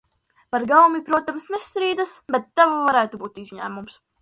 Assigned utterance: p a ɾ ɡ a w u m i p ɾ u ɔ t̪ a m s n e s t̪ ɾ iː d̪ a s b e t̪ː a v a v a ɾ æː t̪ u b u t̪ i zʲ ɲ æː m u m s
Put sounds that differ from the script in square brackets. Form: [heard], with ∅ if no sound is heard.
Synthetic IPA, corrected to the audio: p a ɾ ɡ a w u m i p ɾ u ɔ t̪ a m s n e s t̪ ɾ iː d̪ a s b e t̪ː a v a v a ɾ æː t̪ u b [uː] t̪ i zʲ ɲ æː m u m s